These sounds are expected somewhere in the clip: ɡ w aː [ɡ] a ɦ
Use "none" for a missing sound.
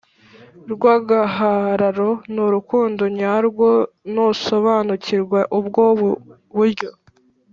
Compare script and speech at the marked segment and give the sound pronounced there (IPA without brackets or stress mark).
ɡ